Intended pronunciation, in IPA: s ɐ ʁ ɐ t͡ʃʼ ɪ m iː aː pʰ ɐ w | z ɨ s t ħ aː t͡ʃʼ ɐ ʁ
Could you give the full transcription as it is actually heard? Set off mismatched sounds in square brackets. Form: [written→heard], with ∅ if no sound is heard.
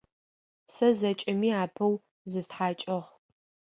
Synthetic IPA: s ɐ [ʁ→z] ɐ t͡ʃʼ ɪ m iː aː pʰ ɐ w | z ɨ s t ħ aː t͡ʃʼ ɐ ʁ